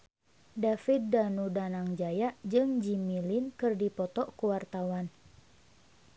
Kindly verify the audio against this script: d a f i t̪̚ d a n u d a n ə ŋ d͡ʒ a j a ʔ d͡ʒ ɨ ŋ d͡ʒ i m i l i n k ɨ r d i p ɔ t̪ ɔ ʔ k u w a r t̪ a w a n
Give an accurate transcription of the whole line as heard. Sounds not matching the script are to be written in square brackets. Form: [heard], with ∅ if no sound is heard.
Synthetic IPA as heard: d a f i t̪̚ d a n u d a n [a] ŋ d͡ʒ a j a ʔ d͡ʒ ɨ ŋ d͡ʒ i m i l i n k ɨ r d i p ɔ t̪ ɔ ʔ k u w a r t̪ a w a n